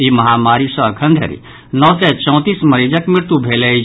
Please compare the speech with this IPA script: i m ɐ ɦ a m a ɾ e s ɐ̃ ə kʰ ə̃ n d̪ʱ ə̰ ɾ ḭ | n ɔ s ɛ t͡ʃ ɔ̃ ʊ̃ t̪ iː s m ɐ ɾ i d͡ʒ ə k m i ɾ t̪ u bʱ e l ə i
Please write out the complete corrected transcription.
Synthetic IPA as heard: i m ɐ ɦ a m a ɾ i s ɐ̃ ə kʰ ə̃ n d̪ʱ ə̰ ɾ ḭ | n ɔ s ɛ t͡ʃ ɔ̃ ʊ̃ t̪ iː s m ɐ ɾ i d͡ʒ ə k m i ɾ t̪ u bʱ e l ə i